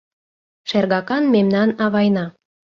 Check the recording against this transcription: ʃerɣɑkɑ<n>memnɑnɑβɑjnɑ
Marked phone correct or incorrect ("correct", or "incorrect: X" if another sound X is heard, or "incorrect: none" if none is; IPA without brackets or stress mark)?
correct